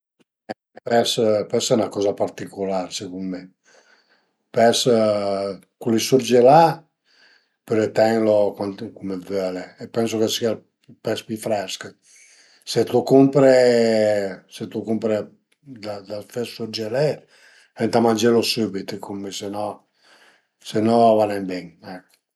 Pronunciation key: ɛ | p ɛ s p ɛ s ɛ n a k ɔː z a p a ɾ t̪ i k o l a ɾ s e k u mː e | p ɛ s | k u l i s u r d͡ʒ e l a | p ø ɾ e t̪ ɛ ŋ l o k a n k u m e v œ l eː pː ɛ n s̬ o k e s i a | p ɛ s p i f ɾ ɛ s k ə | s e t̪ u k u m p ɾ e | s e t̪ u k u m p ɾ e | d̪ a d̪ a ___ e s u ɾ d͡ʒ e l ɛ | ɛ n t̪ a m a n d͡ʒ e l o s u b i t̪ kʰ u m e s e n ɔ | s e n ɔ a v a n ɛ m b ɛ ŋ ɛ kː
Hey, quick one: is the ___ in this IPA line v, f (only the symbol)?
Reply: f